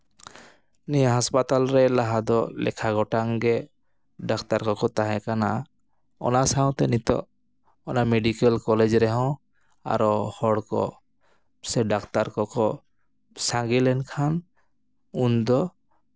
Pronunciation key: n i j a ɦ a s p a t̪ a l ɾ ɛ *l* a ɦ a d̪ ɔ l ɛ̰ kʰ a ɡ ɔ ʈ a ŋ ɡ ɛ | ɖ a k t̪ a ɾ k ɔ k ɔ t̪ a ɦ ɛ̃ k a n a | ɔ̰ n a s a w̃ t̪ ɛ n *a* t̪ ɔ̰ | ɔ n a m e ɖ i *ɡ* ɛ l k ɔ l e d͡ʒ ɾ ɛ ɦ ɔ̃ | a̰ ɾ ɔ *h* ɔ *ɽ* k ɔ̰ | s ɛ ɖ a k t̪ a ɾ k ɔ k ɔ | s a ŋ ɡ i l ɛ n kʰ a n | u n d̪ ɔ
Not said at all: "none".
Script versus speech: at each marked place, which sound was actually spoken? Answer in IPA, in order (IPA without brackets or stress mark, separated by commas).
l, i, k, h, ɽ